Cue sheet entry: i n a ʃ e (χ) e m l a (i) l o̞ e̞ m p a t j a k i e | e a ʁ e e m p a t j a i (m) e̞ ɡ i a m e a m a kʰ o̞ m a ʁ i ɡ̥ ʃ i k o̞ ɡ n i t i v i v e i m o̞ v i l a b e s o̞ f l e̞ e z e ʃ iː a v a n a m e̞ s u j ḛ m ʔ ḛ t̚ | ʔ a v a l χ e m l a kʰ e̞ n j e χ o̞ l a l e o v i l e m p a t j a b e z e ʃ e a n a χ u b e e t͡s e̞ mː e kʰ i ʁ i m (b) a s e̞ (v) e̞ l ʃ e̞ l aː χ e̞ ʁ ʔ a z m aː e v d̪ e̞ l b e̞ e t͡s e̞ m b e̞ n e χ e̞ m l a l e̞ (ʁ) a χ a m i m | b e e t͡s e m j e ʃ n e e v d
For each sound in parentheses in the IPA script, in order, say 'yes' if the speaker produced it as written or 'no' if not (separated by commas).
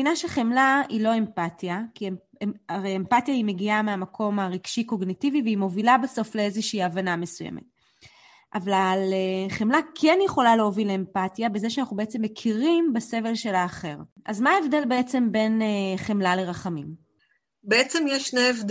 yes, yes, yes, yes, yes, yes